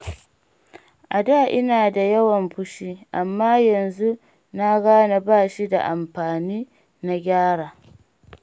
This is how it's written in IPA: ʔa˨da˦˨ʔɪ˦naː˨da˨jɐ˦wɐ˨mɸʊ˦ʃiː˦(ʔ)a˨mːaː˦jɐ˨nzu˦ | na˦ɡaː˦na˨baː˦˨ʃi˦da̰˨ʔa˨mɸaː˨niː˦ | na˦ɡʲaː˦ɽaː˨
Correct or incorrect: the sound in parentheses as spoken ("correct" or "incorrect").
correct